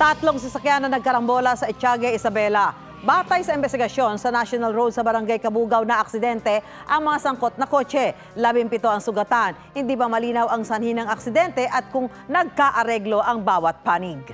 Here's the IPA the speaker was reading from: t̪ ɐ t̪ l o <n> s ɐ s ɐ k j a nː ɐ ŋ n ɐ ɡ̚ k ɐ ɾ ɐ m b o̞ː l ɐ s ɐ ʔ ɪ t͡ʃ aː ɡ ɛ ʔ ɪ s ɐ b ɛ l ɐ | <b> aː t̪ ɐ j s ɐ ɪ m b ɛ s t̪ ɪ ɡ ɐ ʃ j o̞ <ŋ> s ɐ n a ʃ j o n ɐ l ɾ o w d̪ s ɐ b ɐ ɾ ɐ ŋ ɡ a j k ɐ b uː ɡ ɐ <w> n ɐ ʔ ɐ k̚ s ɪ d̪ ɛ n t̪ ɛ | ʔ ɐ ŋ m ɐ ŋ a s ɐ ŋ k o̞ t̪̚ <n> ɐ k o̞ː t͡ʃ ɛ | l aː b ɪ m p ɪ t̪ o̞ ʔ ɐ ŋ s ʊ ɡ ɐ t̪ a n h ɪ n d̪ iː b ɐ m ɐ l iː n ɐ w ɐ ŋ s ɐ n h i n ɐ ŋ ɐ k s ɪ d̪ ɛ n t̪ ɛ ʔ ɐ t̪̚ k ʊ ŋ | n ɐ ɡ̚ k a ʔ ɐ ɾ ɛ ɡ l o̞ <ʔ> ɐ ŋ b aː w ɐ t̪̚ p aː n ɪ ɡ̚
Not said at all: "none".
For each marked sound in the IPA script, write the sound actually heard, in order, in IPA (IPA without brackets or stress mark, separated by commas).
ŋ, b, n, w, n, ʔ